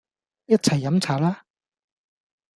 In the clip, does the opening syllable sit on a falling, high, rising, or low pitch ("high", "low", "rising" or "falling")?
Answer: high